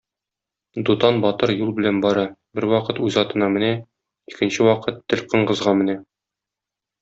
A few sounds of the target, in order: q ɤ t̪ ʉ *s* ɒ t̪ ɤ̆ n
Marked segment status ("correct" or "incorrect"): incorrect